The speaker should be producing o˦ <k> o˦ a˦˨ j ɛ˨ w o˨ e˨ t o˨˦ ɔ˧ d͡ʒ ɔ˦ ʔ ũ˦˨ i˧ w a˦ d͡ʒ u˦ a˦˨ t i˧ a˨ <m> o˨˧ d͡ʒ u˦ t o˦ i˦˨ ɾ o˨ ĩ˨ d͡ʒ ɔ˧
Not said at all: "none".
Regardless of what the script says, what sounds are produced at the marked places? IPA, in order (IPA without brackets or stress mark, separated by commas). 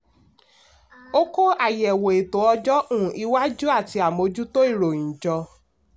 k, m